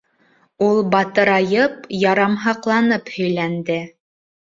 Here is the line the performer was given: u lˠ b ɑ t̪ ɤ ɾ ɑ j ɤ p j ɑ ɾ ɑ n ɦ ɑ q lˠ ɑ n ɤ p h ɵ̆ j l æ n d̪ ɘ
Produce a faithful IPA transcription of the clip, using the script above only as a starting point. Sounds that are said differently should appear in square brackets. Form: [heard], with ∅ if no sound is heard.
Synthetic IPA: u lˠ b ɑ t̪ ɤ ɾ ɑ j ɤ p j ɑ ɾ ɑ [m] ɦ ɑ q lˠ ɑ n ɤ p h ɵ̆ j l æ n d̪ ɘ